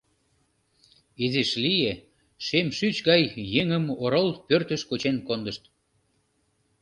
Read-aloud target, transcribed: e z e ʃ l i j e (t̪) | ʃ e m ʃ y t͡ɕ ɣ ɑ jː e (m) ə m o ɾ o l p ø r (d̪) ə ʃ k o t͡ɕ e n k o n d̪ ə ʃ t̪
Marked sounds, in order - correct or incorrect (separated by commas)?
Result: incorrect, incorrect, incorrect